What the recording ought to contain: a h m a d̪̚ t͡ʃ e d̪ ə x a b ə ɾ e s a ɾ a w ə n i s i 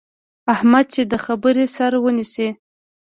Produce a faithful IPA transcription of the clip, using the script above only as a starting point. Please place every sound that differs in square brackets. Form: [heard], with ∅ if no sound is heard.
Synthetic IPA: a h m a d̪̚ t͡ʃ e d̪ ə x a b ə ɾ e s a ɾ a w ə n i s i